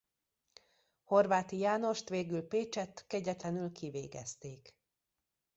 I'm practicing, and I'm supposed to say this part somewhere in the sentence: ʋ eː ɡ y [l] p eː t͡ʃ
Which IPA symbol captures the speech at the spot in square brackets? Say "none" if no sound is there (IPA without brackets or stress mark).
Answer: l